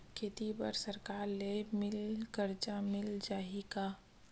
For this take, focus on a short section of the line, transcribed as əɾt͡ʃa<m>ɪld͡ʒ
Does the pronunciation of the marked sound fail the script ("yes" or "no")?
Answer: no